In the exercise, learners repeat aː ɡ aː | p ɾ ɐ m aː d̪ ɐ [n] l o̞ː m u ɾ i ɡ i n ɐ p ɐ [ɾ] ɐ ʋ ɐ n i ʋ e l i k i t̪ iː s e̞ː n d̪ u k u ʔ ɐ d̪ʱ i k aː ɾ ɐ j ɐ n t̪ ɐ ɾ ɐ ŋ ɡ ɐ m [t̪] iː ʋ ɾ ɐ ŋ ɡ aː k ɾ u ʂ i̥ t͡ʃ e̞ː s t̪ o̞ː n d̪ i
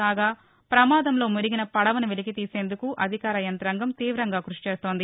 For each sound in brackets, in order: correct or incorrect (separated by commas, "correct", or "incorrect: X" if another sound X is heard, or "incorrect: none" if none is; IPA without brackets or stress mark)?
incorrect: m, incorrect: ɽ, correct